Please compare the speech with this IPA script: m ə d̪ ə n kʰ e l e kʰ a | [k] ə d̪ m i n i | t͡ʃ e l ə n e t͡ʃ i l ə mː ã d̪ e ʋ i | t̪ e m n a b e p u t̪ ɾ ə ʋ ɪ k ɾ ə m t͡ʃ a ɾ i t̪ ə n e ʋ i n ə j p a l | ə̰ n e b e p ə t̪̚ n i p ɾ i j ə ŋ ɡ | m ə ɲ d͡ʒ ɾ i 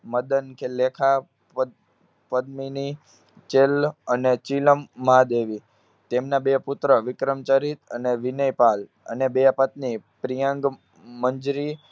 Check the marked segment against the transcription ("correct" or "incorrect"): incorrect